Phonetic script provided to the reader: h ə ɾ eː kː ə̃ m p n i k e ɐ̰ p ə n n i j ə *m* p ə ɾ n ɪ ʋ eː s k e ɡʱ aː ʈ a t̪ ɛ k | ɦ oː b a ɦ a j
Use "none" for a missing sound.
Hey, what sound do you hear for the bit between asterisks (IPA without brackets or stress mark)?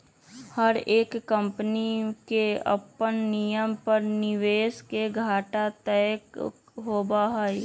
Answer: m